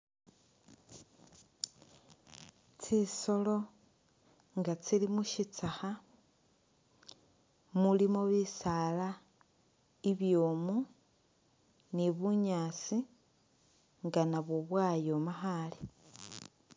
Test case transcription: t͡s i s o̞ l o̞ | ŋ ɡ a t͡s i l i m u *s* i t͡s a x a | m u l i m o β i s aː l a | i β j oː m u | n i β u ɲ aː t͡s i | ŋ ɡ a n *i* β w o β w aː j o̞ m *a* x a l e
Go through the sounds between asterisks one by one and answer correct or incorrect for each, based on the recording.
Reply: incorrect: ʃ, incorrect: a, correct

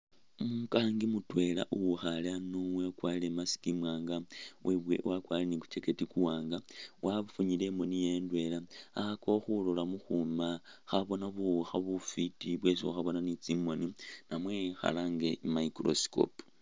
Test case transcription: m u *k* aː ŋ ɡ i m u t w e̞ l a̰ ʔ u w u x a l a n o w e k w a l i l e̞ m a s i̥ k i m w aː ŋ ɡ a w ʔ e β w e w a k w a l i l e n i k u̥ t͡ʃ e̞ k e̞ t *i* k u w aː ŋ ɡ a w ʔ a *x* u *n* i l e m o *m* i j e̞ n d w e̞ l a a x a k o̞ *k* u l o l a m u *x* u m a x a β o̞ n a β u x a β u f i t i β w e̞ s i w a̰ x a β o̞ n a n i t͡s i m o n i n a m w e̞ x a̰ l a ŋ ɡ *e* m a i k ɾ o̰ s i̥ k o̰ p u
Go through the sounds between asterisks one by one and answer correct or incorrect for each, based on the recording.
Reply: correct, correct, incorrect: f, incorrect: ɲ, incorrect: n, incorrect: x, correct, correct

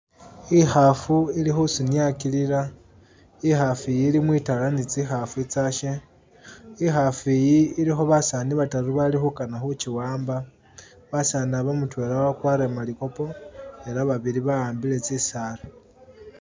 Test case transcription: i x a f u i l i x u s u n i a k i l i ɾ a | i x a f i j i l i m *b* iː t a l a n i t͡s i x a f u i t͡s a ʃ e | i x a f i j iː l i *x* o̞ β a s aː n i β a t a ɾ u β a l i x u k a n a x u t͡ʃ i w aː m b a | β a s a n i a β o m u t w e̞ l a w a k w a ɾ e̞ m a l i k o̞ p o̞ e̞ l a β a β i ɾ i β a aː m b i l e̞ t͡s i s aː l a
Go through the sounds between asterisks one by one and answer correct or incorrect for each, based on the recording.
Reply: incorrect: w, correct

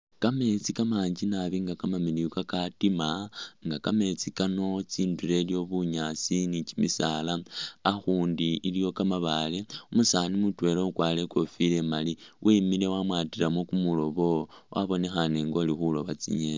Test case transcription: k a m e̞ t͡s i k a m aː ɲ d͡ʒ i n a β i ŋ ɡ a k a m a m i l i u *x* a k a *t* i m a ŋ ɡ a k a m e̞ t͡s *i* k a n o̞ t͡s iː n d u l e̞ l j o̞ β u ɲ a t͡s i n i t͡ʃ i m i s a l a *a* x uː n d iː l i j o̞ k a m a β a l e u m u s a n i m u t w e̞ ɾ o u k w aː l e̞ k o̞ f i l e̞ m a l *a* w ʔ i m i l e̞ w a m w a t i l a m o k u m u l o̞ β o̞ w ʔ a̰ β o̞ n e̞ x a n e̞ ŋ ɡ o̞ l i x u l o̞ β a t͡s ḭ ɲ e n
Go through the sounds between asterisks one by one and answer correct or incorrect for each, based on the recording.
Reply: incorrect: k, correct, correct, correct, incorrect: i

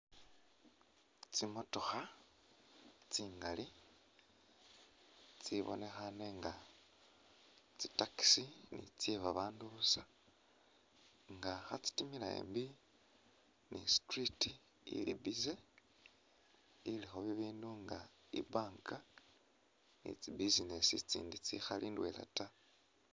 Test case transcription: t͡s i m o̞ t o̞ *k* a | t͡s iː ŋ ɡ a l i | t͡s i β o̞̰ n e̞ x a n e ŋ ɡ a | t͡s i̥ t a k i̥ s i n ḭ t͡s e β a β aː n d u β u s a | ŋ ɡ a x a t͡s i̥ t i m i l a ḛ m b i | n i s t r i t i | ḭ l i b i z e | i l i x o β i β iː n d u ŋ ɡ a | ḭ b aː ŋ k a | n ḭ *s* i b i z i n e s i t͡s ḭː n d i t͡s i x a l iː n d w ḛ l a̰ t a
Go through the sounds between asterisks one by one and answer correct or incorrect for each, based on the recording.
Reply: incorrect: x, incorrect: t͡s

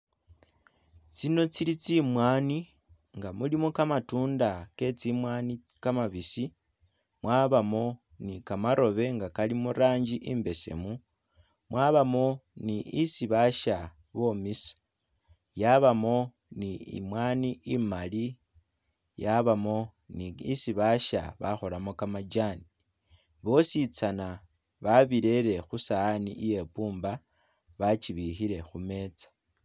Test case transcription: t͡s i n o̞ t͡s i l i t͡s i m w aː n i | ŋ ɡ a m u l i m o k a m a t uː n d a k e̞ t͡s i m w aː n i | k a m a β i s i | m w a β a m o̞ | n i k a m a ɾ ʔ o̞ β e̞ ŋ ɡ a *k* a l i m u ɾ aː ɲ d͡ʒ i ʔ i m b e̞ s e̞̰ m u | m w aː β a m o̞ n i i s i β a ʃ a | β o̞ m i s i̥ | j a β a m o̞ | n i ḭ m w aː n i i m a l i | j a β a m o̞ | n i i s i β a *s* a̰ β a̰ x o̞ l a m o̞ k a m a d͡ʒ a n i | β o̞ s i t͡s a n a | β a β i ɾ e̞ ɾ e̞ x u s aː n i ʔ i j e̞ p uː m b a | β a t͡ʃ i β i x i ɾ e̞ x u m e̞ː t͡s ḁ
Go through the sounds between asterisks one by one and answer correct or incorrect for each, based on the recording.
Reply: correct, incorrect: ʃ

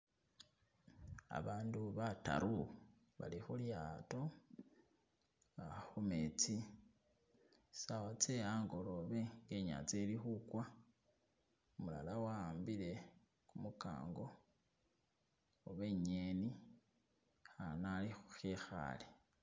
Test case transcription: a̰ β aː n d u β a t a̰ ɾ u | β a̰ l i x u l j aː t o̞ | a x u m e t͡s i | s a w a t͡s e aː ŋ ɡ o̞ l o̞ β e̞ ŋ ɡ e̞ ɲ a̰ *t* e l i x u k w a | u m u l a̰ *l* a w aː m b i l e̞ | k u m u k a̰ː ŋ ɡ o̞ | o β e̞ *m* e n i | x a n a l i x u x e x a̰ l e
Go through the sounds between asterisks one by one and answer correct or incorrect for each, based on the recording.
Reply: incorrect: t͡s, correct, incorrect: ɲ

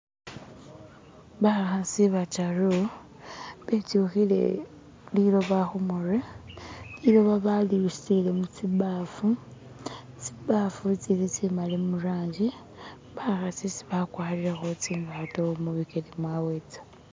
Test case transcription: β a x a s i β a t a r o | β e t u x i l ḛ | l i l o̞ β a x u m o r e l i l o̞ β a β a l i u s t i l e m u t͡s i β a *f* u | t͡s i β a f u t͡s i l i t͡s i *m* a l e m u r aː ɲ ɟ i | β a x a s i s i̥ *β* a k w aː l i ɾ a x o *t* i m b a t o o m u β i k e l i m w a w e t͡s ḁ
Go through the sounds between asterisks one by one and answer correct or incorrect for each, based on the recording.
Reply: correct, correct, correct, incorrect: t͡s

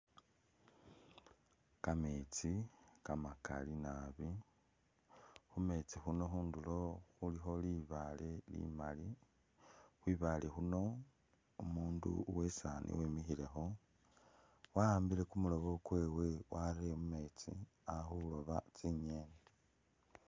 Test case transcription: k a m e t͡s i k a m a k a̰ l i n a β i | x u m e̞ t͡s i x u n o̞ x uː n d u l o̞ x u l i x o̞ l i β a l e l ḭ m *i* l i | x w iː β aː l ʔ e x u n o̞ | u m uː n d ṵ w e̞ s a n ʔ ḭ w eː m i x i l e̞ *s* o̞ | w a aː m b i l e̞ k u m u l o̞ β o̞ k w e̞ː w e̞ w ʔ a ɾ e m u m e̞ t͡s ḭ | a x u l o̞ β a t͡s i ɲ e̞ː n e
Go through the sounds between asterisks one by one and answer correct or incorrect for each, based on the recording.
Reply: incorrect: a, incorrect: x

